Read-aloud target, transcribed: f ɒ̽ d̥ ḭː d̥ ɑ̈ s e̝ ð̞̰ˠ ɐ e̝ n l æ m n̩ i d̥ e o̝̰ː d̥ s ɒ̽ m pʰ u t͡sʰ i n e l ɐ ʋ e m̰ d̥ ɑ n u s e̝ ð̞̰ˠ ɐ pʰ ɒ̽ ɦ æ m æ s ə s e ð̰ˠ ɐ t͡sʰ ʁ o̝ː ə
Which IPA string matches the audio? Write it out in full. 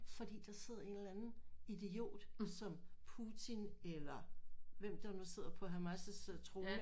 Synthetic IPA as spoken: f ɒ̽ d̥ ḭː d̥ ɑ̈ s e̝ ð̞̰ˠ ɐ e̝ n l æ n n̩ i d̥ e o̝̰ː d̥ s ɒ̽ m pʰ u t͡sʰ i n e l ɐ ʋ e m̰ d̥ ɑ n u s e̝ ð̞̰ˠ ɐ pʰ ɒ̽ ɦ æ m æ s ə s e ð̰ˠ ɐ t͡sʰ ʁ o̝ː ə